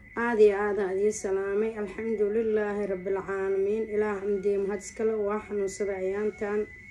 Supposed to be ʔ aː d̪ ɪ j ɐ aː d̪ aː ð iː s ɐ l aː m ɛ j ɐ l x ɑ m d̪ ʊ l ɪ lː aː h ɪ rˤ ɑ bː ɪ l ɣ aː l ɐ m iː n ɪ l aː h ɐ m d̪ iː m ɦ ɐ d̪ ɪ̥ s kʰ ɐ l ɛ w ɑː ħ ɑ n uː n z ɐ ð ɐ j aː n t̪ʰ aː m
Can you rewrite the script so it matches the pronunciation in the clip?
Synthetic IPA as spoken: ʔ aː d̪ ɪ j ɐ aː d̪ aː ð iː s ɐ l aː m ɛ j ɐ l ħ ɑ m d̪ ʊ l ɪ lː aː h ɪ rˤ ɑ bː ɪ l ʕ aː l ɐ m iː n ɪ l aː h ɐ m d̪ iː m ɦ ɐ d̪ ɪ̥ s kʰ ɐ l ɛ w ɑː ħ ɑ n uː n s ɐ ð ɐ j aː n t̪ʰ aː n